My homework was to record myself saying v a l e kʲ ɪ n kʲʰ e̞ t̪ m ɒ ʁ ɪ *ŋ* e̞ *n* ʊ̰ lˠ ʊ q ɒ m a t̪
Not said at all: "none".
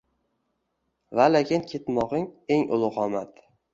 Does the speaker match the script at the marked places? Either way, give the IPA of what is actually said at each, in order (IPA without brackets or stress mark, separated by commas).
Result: ŋ, ŋ